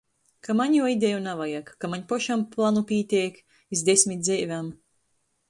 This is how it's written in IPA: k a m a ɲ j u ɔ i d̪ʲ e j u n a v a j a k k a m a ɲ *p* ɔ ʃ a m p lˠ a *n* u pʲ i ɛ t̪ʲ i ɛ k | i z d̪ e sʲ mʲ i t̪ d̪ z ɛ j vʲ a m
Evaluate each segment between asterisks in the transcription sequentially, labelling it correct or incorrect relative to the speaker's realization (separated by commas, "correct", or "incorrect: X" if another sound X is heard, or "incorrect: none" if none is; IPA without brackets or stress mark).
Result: correct, correct